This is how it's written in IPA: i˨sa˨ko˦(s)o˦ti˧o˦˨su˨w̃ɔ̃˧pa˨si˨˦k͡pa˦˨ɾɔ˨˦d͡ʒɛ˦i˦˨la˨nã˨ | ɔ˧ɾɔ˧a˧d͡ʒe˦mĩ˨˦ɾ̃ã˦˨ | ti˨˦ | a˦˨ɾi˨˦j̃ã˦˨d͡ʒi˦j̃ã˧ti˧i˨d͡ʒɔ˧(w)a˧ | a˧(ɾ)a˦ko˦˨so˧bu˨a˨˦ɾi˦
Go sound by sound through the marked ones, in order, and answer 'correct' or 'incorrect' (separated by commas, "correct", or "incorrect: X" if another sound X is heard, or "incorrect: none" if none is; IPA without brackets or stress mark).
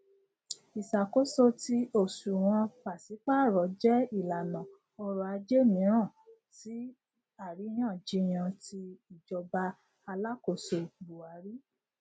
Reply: correct, incorrect: b, incorrect: l